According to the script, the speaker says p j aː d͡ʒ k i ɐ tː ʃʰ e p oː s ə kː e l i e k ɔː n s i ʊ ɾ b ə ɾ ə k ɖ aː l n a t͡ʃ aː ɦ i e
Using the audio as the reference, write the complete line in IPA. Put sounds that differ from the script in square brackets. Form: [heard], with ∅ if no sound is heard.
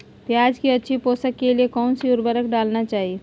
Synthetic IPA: p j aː d͡ʒ k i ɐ tː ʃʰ [i] p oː s ə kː e l i e k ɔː n s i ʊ ɾ b ə ɾ ə k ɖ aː l n a t͡ʃ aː ɦ i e